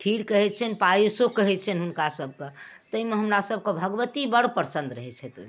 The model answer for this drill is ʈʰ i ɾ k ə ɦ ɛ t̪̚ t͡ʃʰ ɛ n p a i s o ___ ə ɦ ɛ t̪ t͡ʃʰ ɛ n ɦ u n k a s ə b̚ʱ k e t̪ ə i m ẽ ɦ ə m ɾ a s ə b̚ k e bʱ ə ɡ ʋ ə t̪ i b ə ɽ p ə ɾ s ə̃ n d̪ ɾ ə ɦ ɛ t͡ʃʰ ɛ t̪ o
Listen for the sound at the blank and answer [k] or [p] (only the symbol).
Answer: k